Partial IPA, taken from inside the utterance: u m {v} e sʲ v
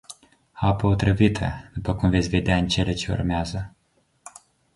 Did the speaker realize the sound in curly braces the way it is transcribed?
yes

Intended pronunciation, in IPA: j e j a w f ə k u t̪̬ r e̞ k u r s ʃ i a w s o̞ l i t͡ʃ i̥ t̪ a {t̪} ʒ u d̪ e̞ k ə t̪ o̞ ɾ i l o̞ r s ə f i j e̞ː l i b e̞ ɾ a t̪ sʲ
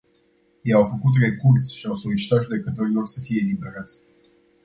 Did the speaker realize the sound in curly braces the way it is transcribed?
yes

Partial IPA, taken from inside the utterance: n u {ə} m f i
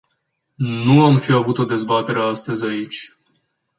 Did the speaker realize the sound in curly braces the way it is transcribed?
no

